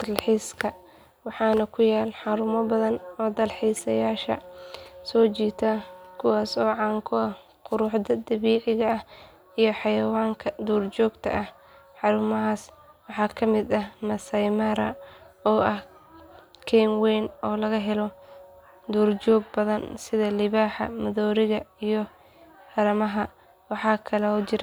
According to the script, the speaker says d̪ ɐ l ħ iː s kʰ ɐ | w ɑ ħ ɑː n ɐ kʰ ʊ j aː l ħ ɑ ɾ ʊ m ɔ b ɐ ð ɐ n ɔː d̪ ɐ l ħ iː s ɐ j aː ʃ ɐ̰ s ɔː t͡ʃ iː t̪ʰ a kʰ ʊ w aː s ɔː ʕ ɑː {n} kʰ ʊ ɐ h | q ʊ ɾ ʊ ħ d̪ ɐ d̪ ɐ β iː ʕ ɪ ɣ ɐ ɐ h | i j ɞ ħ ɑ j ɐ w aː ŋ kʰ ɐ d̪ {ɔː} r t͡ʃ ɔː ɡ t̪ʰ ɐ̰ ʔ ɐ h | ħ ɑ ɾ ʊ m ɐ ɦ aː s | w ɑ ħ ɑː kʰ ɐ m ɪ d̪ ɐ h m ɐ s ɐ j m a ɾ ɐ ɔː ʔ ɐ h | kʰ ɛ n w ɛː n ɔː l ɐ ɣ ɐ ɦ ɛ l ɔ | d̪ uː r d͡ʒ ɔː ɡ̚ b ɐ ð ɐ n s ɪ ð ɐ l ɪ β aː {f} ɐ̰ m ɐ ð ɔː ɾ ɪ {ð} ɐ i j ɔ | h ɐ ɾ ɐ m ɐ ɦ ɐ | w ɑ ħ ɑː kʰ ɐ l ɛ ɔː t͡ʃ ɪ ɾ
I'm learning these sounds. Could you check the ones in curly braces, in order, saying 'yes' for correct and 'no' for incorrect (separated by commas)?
no, no, no, no